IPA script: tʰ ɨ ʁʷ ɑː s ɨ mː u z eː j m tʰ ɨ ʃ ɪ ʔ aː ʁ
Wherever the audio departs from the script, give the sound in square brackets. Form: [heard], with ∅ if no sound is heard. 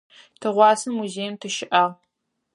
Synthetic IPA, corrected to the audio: tʰ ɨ ʁʷ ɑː s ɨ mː u z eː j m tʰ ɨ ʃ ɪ ʔ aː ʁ